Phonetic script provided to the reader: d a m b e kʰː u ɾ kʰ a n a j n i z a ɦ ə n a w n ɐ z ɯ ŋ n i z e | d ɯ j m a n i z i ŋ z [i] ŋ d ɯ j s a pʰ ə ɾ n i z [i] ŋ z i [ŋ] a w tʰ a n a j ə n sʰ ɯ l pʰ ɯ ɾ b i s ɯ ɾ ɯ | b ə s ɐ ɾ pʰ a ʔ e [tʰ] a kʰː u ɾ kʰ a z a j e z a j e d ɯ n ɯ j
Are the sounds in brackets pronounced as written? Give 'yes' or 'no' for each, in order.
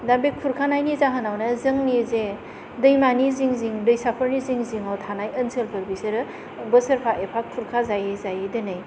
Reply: yes, yes, yes, no

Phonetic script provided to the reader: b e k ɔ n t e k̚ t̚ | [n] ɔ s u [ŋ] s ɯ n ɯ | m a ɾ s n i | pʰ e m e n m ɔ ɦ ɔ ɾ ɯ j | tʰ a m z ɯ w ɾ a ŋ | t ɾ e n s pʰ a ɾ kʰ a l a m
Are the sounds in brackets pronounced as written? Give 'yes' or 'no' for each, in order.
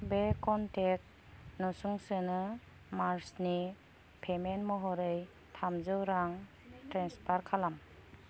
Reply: yes, yes

